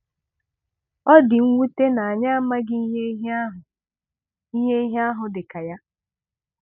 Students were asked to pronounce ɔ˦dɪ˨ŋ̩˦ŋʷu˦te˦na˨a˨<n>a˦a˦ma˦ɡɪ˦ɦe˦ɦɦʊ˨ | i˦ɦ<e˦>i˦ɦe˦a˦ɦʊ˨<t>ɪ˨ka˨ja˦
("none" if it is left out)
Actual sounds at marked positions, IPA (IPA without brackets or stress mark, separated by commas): ɲ, e˦, d